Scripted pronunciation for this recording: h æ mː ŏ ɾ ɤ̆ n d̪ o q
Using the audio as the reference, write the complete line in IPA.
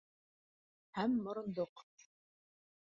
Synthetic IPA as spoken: h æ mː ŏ ɾ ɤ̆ n d̪ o q